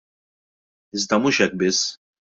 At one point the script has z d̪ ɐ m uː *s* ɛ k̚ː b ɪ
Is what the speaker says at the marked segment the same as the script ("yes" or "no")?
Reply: no